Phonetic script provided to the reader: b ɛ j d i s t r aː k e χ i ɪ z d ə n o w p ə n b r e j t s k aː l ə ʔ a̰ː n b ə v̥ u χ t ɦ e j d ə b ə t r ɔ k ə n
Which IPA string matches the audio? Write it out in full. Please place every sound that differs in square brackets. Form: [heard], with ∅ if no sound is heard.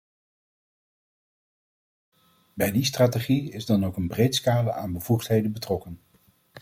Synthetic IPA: b ɛ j d i s t r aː [t] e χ i ɪ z d [ɑ] n o w [k] ə n b r e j t s k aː l ə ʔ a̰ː n b ə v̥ u χ t ɦ e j d ə b ə t r ɔ k ə n